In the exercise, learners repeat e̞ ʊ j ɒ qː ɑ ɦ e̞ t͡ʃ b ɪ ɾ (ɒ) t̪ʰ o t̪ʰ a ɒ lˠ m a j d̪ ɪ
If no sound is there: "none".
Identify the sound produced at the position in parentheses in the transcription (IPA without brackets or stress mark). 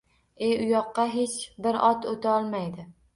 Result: ɒ